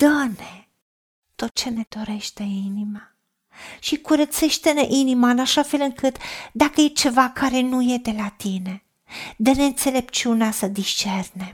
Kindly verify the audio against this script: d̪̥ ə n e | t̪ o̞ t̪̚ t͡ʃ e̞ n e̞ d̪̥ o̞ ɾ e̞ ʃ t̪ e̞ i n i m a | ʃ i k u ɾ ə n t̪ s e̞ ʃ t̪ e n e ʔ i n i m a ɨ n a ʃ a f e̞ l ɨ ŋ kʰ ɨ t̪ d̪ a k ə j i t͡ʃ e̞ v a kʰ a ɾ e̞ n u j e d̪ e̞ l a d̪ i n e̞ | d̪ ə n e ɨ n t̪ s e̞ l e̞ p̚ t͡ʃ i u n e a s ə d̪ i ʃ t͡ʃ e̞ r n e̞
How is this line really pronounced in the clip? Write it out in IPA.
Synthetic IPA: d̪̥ ə n e | t̪ o̞ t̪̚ t͡ʃ e̞ n e̞ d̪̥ o̞ ɾ e̞ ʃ t̪ e̞ i n i m a | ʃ i k u ɾ ə t̪ s e̞ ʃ t̪ e n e ʔ i n i m a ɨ n a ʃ a f e̞ l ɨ ŋ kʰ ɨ t̪ d̪ a k ə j e t͡ʃ e̞ v a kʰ a ɾ e̞ n u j e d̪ e̞ l a t̪ i n e̞ | d̪ ə n e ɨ n t̪ s e̞ l e̞ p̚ t͡ʃ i u n e a s ə d̪ i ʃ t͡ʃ e̞ r n e̞